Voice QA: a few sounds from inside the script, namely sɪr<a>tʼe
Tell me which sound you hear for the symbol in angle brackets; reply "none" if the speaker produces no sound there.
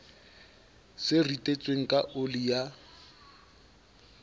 i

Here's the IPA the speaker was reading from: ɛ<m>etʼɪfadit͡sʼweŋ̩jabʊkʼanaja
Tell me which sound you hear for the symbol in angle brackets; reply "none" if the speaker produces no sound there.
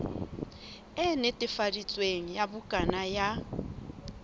n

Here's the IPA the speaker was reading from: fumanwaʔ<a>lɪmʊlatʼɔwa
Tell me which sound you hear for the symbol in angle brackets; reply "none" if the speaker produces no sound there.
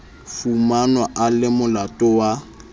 a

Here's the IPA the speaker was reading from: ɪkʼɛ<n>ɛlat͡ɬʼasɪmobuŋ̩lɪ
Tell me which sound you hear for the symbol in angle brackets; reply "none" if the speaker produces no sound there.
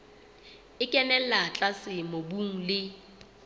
n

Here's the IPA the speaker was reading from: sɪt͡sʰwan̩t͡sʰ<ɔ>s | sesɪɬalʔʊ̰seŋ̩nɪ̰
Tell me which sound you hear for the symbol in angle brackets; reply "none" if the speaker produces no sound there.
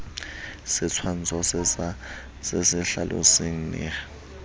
ɔ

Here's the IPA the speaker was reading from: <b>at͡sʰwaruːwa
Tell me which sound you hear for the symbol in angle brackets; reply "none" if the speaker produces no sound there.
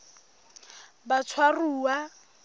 b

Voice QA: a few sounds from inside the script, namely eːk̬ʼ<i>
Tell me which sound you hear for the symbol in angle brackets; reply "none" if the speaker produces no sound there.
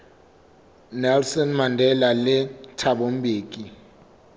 i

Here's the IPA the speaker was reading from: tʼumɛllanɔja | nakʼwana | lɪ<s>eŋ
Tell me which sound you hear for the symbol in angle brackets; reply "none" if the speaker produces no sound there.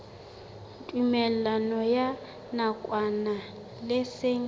s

